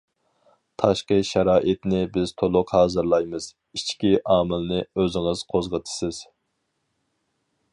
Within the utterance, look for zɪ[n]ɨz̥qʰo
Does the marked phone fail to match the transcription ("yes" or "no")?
yes